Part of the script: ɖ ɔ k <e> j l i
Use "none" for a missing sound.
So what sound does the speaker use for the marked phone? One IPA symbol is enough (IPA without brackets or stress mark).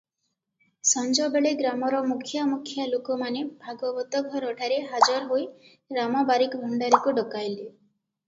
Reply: a